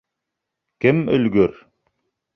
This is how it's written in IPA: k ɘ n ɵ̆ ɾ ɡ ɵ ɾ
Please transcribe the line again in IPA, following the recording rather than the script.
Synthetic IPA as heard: k ɘ m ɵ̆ l ɡ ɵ ɾ